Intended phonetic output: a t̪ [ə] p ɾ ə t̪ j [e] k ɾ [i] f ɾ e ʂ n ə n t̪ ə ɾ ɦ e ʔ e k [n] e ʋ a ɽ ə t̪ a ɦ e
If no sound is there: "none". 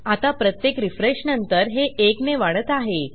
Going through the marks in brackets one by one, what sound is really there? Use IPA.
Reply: a, e, i, n

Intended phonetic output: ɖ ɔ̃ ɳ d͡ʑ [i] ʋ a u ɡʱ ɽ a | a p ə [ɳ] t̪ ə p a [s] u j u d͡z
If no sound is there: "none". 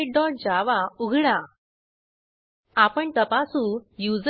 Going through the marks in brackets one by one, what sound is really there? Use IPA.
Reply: a, ɳ, s

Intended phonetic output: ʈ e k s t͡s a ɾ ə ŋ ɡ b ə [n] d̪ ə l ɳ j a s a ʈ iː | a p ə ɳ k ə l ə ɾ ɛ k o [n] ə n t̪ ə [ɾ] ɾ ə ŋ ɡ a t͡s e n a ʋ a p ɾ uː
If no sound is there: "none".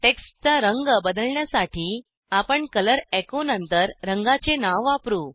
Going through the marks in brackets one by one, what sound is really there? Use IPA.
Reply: none, n, ɾ

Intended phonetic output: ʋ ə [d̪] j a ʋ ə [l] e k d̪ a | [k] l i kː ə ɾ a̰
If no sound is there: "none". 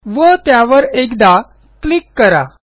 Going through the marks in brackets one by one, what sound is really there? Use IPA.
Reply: t̪, ɾ, k

